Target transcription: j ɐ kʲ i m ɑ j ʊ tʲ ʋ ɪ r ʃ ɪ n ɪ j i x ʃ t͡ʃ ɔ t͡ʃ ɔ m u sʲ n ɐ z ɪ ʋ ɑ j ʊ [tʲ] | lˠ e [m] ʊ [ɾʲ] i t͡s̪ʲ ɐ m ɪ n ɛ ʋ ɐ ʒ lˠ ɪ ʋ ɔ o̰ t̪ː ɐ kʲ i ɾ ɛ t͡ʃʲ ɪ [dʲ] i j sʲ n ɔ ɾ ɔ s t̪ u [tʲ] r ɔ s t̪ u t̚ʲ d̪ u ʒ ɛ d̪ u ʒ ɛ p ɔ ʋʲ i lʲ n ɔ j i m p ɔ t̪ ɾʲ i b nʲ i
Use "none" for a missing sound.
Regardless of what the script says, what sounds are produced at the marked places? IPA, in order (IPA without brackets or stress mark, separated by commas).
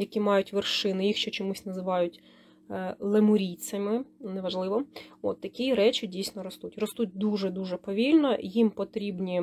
tʲ, m, ɾʲ, dʲ, tʲ